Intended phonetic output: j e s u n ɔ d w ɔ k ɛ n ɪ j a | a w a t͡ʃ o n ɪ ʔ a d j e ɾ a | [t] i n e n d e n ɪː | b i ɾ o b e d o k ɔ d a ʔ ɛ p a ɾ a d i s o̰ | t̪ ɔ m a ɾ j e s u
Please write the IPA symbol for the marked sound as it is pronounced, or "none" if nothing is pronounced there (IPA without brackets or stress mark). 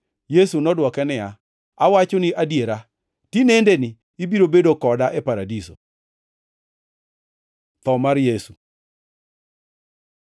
t